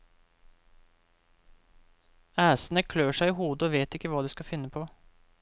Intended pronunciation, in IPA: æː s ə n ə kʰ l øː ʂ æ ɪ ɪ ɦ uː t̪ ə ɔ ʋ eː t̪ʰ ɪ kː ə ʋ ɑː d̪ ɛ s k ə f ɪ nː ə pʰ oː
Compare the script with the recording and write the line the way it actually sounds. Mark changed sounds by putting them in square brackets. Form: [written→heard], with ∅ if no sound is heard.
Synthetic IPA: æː s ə n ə kʰ l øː ʂ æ ɪ ɪ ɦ uː [t̪→d̪] ə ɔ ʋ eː [t̪ʰ→t̪] ɪ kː ə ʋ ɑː d̪ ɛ s k [ə→ɑ] f ɪ nː ə pʰ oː